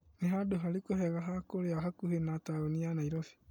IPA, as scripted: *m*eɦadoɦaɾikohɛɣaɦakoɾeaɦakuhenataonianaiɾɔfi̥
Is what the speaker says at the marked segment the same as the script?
no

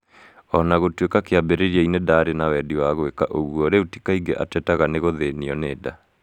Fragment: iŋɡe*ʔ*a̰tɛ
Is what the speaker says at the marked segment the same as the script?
yes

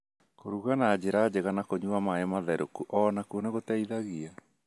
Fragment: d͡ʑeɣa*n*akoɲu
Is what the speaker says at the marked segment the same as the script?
yes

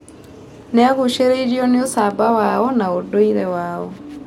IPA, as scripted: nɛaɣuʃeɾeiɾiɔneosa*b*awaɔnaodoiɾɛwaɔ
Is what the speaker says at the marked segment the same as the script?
yes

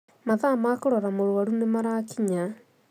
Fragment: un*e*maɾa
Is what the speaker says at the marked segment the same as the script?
yes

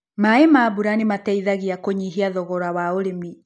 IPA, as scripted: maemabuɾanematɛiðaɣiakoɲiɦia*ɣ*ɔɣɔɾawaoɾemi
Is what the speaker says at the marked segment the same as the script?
no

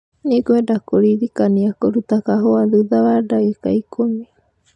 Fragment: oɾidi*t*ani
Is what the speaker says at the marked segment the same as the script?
no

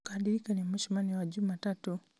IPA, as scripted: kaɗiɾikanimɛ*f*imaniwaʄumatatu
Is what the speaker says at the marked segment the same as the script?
no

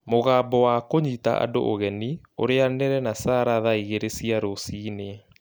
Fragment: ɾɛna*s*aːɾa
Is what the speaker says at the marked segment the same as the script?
yes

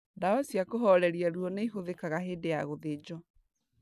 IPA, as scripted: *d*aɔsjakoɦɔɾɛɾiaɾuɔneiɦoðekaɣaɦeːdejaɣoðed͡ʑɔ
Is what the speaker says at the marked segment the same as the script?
yes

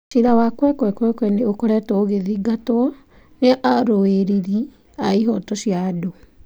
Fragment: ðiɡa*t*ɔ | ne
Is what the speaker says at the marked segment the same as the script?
yes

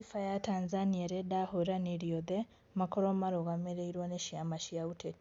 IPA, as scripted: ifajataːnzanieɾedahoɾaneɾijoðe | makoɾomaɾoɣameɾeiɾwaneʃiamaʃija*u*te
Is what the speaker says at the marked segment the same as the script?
yes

